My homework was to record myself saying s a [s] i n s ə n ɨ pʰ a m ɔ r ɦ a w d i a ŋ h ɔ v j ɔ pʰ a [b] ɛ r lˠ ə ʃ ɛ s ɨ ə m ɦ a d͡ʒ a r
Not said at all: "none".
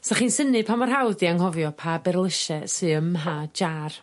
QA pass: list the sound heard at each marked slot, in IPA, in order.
χ, b

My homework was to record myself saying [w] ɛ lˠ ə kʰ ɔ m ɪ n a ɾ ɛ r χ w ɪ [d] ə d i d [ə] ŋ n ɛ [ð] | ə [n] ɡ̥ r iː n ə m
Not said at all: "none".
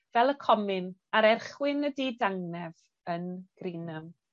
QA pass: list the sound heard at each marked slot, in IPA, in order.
v, n, a, v, n

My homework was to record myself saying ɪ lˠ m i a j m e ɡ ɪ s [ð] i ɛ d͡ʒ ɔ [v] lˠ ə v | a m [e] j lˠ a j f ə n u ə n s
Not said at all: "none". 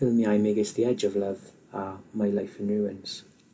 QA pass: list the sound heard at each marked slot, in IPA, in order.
ð, v, a

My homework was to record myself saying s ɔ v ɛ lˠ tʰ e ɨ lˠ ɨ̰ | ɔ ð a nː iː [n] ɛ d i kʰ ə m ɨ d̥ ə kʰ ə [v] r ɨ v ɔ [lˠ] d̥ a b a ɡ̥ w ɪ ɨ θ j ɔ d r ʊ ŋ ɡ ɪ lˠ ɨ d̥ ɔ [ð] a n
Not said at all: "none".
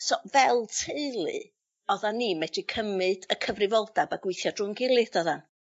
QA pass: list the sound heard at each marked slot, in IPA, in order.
m, v, lˠ, ð

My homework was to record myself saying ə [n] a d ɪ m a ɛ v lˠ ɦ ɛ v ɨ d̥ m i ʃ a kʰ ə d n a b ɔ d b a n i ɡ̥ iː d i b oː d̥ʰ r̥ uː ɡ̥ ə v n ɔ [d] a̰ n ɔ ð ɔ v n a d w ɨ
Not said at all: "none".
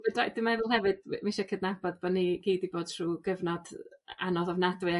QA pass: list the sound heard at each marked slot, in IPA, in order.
d, d

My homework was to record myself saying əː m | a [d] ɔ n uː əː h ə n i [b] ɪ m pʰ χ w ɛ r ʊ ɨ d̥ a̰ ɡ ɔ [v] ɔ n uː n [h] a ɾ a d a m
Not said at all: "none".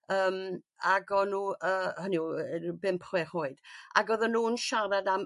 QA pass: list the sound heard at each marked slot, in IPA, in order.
ɡ, b, ð, ʃ

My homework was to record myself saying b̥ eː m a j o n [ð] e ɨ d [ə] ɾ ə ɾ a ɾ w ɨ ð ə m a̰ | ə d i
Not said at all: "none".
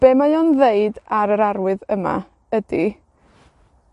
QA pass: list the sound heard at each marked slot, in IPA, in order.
ð, a

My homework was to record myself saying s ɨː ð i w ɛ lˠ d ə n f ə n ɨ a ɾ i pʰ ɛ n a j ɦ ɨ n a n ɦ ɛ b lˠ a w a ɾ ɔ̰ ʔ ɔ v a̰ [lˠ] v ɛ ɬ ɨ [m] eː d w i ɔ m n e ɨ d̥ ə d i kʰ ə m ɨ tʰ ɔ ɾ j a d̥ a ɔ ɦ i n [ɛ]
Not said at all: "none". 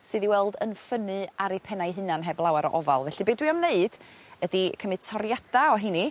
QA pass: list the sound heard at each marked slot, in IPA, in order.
lˠ, b, i

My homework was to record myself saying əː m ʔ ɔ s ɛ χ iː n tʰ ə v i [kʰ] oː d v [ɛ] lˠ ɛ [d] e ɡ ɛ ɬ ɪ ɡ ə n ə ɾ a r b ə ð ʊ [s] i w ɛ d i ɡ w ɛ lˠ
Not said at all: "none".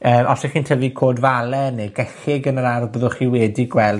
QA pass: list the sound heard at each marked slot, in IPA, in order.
kʰ, a, n, χ

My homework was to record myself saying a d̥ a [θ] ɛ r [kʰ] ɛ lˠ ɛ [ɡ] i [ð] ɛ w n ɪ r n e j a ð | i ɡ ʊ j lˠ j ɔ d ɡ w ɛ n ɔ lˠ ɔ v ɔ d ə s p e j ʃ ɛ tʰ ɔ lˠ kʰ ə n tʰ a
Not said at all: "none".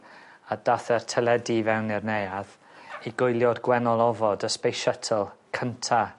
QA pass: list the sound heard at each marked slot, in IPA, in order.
θ, tʰ, d, v

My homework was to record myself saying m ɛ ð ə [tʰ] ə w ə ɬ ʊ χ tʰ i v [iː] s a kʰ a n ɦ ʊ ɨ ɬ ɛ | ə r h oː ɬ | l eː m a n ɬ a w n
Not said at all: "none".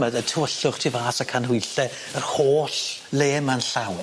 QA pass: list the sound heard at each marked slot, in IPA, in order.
tʰ, aː

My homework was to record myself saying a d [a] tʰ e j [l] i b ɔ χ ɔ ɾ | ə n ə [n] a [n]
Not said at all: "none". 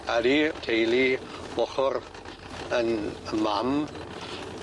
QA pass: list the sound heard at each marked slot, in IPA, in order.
i, l, m, m

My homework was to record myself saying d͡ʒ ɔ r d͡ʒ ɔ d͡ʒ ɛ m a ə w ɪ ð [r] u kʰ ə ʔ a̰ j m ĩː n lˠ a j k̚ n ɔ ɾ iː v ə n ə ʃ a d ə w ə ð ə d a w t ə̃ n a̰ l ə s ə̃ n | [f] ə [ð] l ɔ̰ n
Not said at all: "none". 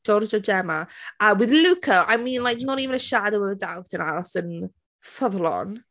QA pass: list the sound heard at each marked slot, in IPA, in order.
l, f, ð

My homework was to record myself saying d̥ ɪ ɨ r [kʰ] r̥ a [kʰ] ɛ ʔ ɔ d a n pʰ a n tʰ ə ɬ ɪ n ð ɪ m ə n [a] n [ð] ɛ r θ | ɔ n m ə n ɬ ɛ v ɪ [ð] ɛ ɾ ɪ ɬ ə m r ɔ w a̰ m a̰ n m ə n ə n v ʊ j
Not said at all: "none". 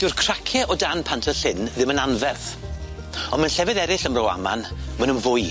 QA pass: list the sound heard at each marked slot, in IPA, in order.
kʰ, kʰ, a, v, ð

